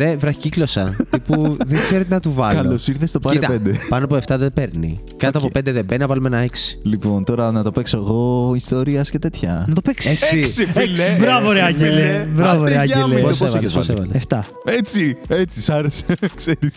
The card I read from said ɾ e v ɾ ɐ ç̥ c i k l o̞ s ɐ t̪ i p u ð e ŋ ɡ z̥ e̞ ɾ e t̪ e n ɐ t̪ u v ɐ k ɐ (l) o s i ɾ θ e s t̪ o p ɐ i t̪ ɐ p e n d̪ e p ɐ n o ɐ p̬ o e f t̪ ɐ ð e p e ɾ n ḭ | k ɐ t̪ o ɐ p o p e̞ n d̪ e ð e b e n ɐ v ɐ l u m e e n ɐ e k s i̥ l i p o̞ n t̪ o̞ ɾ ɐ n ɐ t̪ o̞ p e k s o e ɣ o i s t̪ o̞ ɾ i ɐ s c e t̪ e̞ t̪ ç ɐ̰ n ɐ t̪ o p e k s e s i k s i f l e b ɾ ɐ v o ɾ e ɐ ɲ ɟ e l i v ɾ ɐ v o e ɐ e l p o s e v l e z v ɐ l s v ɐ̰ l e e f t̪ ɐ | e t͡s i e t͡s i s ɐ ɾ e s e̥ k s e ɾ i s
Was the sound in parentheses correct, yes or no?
yes